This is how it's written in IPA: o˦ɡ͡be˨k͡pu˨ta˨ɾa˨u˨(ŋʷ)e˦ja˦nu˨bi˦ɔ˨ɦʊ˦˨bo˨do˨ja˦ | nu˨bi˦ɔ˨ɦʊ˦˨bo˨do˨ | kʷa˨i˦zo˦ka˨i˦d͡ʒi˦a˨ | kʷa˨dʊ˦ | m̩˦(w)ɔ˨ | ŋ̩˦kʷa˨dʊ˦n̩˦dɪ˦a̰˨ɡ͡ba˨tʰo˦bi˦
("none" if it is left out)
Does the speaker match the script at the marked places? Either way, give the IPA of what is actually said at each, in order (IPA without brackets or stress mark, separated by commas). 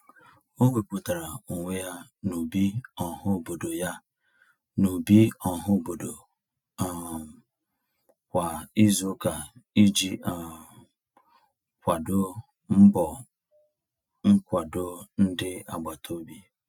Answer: ŋʷ, b